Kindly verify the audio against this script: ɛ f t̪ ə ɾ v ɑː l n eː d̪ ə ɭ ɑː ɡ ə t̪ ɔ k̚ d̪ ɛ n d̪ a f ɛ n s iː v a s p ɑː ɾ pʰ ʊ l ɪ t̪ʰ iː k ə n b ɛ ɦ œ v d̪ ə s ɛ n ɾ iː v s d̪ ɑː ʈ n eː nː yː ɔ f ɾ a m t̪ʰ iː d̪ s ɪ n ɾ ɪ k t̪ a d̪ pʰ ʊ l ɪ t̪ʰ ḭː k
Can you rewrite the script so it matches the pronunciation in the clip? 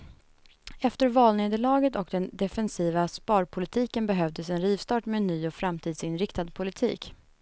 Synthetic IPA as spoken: ɛ f t̪ ə ɾ v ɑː l n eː d̪ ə ɭ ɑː ɡ ə t̪ ɔ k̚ d̪ ɛ n d̪ ɛ f ɛ n s iː v a s p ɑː ɾ pʰ ʊ l ɪ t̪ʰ iː k ə n b ɛ ɦ œ v d̪ ə s ɛ n ɾ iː v s t̪ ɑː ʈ m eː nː yː ɔ f ɾ a m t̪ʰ iː d̪ s ɪ n ɾ ɪ k t̪ a d̪ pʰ ʊ l ɪ t̪ʰ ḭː k